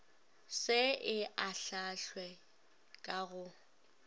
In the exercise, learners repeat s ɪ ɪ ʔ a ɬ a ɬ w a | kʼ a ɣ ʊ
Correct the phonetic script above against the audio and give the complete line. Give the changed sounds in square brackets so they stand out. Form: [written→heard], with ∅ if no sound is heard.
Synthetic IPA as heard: s ɪ ɪ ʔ a ɬ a ɬ w [a→ɛ] | kʼ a ɣ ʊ